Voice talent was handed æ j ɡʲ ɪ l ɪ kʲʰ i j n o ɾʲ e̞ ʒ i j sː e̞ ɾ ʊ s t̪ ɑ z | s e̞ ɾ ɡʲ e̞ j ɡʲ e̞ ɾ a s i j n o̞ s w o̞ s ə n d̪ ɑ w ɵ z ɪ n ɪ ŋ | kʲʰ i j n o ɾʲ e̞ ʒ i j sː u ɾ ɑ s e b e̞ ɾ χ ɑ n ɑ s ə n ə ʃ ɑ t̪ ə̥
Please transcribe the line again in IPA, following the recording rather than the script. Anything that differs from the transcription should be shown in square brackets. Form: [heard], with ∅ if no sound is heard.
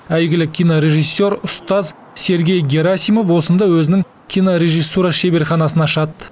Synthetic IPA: æ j ɡʲ ɪ l ɪ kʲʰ i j n o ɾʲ e̞ ʒ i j sː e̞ ɾ ʊ s t̪ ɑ z | s e̞ ɾ ɡʲ e̞ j ɡʲ e̞ ɾ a s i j [m] o̞ [f] w o̞ s ə n d̪ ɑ w ɵ z ɪ n ɪ ŋ | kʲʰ i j n o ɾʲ e̞ ʒ i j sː u ɾ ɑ [ʃ] e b e̞ ɾ χ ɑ n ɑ s ə n [ɑ] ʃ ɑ t̪ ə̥